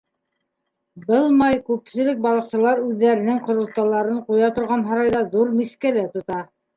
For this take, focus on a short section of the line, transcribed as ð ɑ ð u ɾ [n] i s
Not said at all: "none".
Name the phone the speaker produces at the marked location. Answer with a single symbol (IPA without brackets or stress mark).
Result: m